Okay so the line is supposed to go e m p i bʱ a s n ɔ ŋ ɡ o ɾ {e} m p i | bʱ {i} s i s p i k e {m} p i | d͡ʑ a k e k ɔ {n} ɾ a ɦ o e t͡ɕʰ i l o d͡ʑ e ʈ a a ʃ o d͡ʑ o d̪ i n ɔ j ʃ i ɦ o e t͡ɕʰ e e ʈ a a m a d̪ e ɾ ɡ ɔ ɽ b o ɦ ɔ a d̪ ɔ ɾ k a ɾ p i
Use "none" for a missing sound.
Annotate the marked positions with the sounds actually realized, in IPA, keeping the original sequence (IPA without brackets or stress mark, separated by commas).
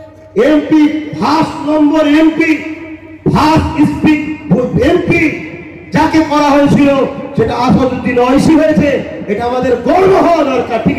e, a, m, none